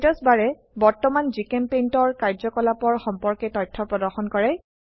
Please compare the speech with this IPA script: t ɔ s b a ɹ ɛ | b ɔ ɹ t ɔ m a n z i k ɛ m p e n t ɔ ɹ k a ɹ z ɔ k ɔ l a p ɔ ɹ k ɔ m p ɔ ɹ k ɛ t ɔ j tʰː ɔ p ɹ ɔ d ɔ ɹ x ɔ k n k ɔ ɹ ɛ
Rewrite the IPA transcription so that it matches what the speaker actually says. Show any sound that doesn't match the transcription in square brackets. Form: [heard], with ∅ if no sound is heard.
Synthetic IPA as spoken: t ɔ s b a ɹ ɛ | b ɔ ɹ t ɔ m a n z i k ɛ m p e n t ɔ ɹ k a ɹ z ɔ k ɔ l a p ɔ ɹ [x] ɔ m p ɔ ɹ k ɛ t ɔ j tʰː ɔ p ɹ ɔ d ɔ ɹ x ɔ [∅] n k ɔ ɹ ɛ